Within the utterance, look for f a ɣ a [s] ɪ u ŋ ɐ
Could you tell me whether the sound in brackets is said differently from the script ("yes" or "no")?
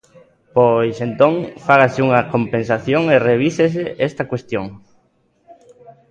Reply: no